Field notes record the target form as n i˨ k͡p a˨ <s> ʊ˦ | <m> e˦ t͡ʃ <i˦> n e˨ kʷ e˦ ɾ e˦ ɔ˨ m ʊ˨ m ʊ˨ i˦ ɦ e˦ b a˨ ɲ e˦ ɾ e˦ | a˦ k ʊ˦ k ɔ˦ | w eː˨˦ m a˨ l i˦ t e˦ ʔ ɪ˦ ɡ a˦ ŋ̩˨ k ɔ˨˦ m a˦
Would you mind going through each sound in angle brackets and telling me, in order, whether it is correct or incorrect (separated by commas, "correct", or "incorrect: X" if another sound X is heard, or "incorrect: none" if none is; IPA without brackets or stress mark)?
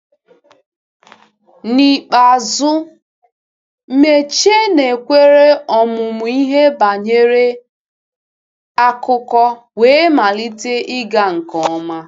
incorrect: z, correct, incorrect: e˦